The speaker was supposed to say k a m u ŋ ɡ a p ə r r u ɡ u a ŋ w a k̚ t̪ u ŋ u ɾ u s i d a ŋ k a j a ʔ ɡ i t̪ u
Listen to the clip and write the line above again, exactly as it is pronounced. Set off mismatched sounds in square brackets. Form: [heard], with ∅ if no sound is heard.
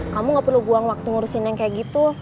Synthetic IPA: k a m u ŋ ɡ a p ə r [l] u ɡ u a ŋ w a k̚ t̪ u ŋ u ɾ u s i [n] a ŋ k a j a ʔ ɡ i t̪ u